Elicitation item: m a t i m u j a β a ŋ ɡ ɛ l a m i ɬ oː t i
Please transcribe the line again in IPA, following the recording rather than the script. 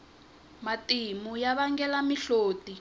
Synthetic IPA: m a t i m u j a β a ŋ ɡ ɛ l a m i ɬ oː t i